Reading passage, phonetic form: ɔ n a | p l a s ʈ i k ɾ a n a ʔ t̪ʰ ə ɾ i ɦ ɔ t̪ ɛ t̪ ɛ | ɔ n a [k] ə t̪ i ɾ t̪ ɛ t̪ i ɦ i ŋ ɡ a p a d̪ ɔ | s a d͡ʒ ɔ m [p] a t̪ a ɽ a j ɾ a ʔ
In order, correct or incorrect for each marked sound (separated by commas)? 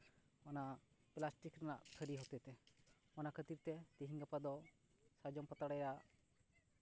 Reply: incorrect, correct